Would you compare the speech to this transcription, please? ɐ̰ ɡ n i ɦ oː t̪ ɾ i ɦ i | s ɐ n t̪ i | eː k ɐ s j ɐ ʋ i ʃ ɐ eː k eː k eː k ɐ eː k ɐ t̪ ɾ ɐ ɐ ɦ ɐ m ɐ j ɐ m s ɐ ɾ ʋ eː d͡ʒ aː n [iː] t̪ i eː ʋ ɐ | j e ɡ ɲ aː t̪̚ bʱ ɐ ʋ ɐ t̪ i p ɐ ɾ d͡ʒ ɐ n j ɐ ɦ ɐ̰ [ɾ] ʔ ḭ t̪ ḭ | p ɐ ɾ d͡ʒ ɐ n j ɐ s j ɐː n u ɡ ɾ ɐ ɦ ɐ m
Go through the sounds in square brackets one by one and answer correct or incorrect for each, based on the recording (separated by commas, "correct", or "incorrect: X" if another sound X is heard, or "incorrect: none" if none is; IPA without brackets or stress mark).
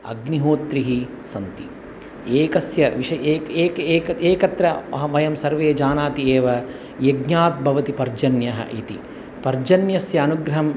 incorrect: aː, incorrect: none